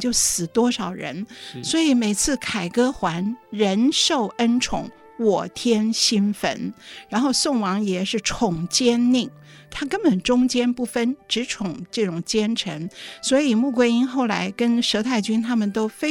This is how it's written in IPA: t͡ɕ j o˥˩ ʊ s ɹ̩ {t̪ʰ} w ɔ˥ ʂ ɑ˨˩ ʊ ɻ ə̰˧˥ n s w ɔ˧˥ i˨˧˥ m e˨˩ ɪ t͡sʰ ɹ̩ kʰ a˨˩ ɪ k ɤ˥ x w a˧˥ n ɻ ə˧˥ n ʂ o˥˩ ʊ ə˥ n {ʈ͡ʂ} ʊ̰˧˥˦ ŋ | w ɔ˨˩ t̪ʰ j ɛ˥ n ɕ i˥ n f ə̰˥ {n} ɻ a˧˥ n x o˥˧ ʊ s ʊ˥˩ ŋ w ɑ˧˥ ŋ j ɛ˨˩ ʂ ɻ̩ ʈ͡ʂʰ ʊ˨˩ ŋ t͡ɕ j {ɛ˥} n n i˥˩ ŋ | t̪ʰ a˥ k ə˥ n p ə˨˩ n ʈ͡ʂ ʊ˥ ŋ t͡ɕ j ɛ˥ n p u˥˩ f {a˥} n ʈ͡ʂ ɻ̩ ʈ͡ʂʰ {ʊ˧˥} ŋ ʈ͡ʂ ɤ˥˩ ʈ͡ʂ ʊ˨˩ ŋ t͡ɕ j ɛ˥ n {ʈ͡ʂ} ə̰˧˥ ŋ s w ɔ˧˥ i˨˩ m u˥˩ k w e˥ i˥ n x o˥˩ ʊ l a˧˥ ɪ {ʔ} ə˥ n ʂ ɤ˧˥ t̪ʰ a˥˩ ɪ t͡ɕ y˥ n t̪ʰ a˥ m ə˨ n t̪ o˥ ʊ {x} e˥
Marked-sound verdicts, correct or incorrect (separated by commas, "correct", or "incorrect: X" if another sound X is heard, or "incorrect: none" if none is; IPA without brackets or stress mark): incorrect: t̪, incorrect: ʈ͡ʂʰ, correct, correct, incorrect: ə˥, incorrect: ʊ˨˩, incorrect: ʈ͡ʂʰ, incorrect: k, incorrect: f